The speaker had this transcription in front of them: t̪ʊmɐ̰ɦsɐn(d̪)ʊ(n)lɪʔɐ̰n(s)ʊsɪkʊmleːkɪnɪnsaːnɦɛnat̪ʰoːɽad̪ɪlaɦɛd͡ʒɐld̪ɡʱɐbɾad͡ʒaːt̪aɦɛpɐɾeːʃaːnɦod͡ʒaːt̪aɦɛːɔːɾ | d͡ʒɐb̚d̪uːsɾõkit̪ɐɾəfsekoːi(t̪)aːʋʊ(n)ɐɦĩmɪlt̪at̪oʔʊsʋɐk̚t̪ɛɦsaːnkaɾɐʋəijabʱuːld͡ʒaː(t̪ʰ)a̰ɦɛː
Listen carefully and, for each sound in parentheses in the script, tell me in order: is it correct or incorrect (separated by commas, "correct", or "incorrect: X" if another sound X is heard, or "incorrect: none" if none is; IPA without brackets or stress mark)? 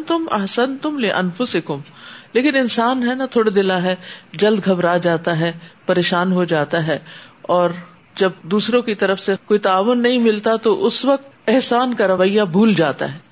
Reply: incorrect: t̪, incorrect: m, incorrect: f, correct, incorrect: nː, incorrect: t̪